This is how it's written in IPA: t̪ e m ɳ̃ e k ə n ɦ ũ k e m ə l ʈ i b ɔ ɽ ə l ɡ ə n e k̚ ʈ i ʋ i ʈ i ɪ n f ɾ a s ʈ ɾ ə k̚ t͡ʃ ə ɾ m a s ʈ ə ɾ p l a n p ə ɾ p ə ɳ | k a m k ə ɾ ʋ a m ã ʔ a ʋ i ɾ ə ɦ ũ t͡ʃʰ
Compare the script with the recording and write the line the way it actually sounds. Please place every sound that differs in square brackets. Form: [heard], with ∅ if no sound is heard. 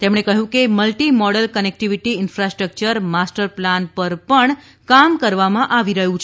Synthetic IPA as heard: t̪ e m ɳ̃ e k ə [∅] ɦ ũ k e m ə l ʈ i [m] ɔ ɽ ə l [k] ə n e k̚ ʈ i ʋ i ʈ i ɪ n f ɾ a s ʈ ɾ ə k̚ t͡ʃ ə ɾ m a s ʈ ə ɾ p l a n p ə ɾ p ə ɳ | k a m k ə ɾ ʋ a m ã ʔ a ʋ i ɾ ə ɦ ũ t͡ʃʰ

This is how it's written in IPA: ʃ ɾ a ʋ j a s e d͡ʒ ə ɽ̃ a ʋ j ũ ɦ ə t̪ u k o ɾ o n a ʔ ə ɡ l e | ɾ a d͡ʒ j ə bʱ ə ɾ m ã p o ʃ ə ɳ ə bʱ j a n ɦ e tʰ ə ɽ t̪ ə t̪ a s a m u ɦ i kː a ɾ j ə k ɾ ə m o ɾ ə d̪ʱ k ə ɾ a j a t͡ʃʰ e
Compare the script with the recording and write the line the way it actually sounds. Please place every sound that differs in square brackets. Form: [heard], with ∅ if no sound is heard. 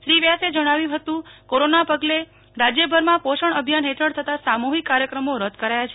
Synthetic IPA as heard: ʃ ɾ [i] ʋ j a s e d͡ʒ ə ɽ̃ a ʋ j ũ ɦ ə t̪ [ũ] k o ɾ o n a [p] ə ɡ l e | ɾ a d͡ʒ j ə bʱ ə ɾ m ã p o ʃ ə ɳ ə bʱ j a n ɦ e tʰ ə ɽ [t̪ʰ] ə t̪ a s a m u ɦ i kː a ɾ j ə k ɾ ə m o ɾ ə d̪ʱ k ə ɾ a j a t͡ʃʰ e

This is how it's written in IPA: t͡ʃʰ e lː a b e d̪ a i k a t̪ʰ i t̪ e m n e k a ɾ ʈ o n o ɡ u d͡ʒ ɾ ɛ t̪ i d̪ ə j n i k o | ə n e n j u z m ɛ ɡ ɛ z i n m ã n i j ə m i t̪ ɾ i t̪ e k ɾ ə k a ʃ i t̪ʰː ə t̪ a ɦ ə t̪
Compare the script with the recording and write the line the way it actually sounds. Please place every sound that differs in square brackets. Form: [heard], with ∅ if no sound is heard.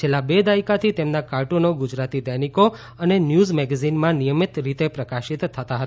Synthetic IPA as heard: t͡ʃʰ e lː a b e d̪ a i k a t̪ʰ i t̪ e m n [a] k a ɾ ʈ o n o ɡ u d͡ʒ ɾ [a] t̪ i d̪ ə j n i k o | ə n e n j u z m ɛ ɡ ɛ z i n m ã n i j ə m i t̪ ɾ i t̪ e [p] ɾ ə k a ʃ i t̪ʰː ə t̪ a ɦ ə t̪

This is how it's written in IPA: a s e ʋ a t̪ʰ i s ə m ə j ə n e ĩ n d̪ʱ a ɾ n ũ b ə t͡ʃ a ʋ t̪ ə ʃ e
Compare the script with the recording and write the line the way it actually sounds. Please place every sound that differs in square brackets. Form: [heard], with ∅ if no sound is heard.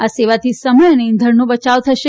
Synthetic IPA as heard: a s e ʋ a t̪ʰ i s ə m ə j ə n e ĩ n d̪ʱ [ə] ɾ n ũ b ə t͡ʃ a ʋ [t̪ʰ] ə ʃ e

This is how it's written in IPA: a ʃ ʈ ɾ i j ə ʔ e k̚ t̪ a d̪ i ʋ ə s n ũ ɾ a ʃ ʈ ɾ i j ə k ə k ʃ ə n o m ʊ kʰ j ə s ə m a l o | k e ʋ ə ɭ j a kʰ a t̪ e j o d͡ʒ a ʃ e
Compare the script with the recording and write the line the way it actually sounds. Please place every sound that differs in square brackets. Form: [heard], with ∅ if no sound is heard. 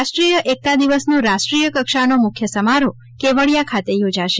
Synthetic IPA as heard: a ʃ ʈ ɾ i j ə ʔ e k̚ t̪ a d̪ i ʋ ə s n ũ ɾ a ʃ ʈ ɾ i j ə k ə k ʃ [a] n o m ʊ kʰ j ə s ə m a [ɾ] o | k e ʋ ə ɭ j a kʰ a t̪ e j o d͡ʒ a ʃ e

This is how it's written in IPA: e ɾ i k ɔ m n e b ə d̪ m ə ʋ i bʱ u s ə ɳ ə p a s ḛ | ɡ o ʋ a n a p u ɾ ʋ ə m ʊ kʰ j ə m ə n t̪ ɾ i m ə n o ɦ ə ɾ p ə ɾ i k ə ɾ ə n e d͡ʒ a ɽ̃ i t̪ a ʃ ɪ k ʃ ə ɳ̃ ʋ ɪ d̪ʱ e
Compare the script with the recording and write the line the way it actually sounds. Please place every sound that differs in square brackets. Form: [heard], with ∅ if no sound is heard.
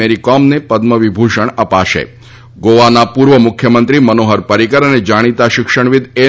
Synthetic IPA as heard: e ɾ i k ɔ m n e [p] ə d̪ m ə ʋ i bʱ u [ʃ] ə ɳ ə p a [ʃ] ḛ | ɡ o ʋ a n a p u ɾ ʋ ə m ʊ kʰ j ə m ə n t̪ ɾ i m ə n o ɦ ə ɾ p ə ɾ i k ə ɾ ə n e d͡ʒ a ɽ̃ i t̪ a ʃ ɪ k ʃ ə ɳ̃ ʋ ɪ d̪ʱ e

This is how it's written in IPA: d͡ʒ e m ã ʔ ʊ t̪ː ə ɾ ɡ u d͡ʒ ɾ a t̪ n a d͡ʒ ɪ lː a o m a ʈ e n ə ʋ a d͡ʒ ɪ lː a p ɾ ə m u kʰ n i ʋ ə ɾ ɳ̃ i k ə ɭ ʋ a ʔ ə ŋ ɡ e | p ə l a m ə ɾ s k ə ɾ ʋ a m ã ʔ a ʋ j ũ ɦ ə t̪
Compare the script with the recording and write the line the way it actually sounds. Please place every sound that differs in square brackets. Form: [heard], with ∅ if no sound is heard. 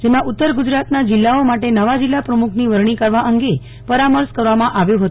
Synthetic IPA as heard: d͡ʒ e m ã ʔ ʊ t̪ː ə ɾ ɡ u d͡ʒ ɾ a t̪ n a d͡ʒ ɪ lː a o m a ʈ e n ə ʋ a d͡ʒ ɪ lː a p ɾ ə m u kʰ n i ʋ ə ɾ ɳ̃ i k ə [ɾ] ʋ a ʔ ə ŋ ɡ e | p ə [ɾ] a m ə ɾ s k ə ɾ ʋ a m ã ʔ a ʋ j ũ ɦ ə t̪

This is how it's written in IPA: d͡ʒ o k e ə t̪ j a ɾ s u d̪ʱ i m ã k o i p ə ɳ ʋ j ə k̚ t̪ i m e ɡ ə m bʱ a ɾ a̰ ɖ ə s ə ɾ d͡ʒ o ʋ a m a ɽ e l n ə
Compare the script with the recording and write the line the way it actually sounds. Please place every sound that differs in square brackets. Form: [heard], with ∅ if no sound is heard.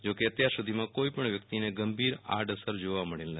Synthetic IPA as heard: d͡ʒ o k e ə t̪ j a ɾ s u d̪ʱ i m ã k o i p ə ɳ ʋ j ə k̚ t̪ i [n] e ɡ ə m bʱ [i] ɾ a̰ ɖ ə s ə ɾ d͡ʒ o ʋ a m [ə] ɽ e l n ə

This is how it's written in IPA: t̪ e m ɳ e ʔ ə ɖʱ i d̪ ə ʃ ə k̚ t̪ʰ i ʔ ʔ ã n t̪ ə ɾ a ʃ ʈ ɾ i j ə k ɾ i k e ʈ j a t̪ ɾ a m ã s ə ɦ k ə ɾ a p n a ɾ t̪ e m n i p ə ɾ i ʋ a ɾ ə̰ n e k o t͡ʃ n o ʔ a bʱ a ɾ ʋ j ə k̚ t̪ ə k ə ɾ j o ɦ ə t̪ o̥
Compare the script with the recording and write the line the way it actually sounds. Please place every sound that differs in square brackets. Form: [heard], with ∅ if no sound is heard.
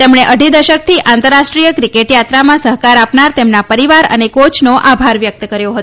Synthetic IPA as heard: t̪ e m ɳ e ʔ ə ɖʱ i d̪ ə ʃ ə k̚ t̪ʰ i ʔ ʔ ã n t̪ ə ɾ a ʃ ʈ ɾ i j ə k ɾ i k e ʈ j a t̪ ɾ a m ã s ə ɦ k [a] ɾ a p n a ɾ t̪ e m n [a] p ə ɾ i ʋ a ɾ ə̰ n e k o t͡ʃ n o ʔ a bʱ a ɾ ʋ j ə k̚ t̪ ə k ə ɾ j o ɦ ə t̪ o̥

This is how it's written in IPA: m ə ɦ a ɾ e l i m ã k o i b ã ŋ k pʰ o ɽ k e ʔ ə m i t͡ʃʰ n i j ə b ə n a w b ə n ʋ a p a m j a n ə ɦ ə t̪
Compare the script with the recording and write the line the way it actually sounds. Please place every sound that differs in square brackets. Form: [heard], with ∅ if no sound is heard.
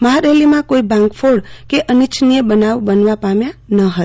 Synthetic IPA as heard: m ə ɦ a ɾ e l i m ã k o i b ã ŋ k pʰ o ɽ k e ʔ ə [n] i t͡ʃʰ n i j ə b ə n a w b ə n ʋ a p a m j a n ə ɦ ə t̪

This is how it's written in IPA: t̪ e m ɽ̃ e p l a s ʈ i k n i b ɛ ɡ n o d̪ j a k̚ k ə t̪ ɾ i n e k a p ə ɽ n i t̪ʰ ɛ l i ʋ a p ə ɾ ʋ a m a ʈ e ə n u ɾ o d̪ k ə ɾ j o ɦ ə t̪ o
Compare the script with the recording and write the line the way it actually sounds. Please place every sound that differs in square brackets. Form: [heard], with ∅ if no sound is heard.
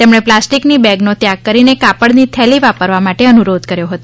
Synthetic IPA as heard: t̪ e m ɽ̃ e p l a s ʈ i k n i b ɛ ɡ n o [t̪] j a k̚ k ə [∅] ɾ i n e k a p ə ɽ n i t̪ʰ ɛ l i ʋ a p ə ɾ ʋ a m a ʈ e ə n u ɾ o d̪ k ə ɾ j o ɦ ə t̪ o

